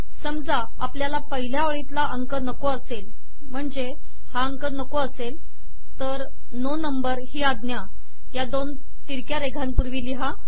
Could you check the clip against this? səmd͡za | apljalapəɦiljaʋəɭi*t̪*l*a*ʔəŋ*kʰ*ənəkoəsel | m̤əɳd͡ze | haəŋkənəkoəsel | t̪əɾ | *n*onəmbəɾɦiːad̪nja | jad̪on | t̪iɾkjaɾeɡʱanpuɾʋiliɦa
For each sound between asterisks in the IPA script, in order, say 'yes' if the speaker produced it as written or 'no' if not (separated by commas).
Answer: yes, yes, no, yes